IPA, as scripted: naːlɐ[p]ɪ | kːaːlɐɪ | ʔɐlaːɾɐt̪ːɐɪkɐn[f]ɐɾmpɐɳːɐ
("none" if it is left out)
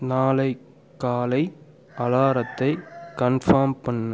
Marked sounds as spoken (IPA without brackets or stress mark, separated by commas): none, f